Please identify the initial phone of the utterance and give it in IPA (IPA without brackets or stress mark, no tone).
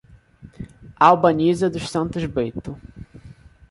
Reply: a